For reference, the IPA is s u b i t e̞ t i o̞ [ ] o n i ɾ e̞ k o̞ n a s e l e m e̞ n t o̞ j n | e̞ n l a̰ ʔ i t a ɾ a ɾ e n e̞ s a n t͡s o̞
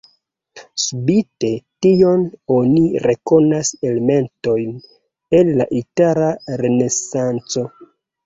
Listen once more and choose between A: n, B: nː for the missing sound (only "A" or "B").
A